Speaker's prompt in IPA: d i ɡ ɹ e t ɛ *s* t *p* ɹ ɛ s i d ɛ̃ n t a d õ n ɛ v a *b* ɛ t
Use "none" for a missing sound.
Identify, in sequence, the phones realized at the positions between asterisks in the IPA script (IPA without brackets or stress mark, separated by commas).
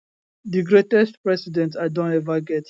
s, p, ɡ